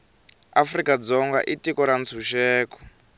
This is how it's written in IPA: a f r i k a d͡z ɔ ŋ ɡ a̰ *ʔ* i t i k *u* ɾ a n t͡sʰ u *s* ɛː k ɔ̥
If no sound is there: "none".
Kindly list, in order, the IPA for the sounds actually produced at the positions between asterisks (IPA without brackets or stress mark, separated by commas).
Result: ʔ, ɔ, ʃ